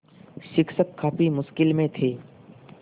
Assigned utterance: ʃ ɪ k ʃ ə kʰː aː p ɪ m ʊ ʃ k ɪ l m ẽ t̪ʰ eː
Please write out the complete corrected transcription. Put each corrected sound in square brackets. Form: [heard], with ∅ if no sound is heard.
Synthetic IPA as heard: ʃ ɪ k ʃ ə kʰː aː p [i] m ʊ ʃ k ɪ l m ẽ t̪ʰ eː